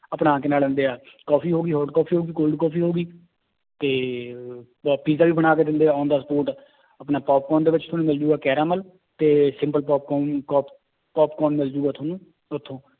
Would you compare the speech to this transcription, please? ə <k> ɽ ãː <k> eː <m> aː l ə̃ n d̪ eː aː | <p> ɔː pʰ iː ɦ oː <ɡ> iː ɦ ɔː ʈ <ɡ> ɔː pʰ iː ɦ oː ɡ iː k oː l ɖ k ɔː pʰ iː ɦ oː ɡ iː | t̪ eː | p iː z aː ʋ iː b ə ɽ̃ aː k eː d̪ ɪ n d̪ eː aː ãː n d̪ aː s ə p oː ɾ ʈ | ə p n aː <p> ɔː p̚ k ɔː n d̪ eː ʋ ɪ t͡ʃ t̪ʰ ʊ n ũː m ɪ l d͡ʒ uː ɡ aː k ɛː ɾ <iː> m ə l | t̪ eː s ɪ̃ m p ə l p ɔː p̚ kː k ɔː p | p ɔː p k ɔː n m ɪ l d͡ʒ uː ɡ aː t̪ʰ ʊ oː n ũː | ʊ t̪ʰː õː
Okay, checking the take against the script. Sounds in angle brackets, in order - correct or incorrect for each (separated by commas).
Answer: incorrect, correct, incorrect, incorrect, correct, incorrect, correct, incorrect